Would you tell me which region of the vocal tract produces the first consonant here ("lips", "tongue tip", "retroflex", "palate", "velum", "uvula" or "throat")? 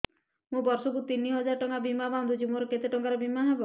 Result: lips